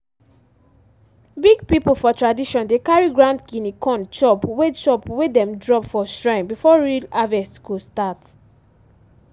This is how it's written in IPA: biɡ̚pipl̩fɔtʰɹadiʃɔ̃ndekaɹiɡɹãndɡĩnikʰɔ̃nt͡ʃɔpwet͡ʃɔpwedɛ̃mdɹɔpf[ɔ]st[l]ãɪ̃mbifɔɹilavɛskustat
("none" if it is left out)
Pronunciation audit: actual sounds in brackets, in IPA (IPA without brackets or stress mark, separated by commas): ɔ, ɹ